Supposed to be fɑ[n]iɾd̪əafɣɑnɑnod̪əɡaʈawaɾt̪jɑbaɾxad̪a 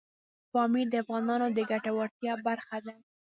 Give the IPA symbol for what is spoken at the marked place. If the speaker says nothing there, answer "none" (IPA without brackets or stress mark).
m